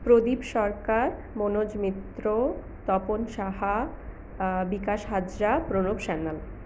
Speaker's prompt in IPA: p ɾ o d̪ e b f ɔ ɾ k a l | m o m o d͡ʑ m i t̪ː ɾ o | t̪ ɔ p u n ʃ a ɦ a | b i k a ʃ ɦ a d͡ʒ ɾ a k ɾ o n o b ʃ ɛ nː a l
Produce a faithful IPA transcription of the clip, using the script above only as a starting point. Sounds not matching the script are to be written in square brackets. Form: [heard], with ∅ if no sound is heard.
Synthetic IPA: p ɾ o d̪ [i] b [ʃ] ɔ ɾ k a [ɾ] | m o [n] o d͡ʑ m i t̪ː ɾ o | t̪ ɔ p [o] n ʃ a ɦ a | b i k a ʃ ɦ a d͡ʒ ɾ a [p] ɾ o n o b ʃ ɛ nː a l